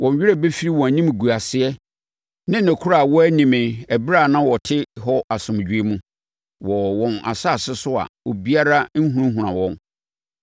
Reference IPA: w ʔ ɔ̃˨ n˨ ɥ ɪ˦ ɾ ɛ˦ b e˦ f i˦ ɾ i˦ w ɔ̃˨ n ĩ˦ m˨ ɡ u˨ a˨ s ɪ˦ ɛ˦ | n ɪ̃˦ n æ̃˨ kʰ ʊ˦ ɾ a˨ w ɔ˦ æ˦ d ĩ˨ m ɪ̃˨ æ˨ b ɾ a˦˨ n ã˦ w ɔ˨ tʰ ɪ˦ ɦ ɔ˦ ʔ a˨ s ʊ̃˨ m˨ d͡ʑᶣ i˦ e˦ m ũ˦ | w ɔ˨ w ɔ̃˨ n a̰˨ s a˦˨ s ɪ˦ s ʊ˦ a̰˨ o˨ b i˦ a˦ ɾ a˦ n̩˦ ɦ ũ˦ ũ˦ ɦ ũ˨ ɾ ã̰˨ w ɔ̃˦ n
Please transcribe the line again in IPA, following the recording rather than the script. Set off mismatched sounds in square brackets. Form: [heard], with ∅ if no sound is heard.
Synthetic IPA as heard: w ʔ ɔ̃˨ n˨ ɥ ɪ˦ ɾ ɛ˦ b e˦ f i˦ ɾ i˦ w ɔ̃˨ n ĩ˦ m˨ ɡ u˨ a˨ s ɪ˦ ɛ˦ | n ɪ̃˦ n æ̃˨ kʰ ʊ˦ ɾ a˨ w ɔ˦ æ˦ [n] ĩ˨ m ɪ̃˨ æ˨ b ɾ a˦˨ n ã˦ w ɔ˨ tʰ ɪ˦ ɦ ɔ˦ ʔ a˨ s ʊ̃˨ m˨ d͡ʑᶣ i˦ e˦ m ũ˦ | w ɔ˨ w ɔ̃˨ n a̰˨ s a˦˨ s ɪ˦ s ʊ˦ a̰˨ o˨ b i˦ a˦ ɾ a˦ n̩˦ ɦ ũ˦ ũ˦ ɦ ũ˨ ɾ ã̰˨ w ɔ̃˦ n